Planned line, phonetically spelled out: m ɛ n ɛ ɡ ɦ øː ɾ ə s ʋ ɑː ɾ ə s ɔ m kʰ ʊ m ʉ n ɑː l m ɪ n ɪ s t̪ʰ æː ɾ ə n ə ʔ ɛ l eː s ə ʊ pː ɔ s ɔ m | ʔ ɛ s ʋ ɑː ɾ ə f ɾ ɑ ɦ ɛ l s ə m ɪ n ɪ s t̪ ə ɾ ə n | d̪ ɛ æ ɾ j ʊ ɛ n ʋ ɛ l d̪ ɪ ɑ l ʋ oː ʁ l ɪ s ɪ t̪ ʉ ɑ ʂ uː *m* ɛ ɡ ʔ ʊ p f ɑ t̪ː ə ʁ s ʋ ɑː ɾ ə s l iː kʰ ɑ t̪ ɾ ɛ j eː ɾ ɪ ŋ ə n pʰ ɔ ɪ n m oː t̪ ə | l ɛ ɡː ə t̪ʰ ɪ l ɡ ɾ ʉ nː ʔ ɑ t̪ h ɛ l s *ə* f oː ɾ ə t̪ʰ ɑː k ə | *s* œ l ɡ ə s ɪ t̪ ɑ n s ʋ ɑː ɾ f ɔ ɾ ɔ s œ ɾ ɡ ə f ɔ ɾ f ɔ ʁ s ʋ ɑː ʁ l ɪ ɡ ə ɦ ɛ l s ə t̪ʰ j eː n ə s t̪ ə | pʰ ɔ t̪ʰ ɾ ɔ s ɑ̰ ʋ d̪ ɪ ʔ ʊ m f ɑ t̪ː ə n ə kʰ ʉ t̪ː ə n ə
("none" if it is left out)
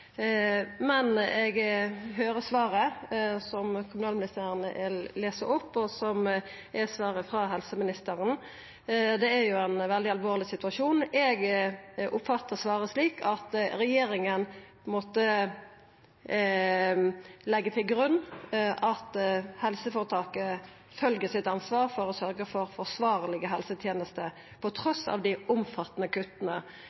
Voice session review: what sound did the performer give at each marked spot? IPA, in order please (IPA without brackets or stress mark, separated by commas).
n, ə, f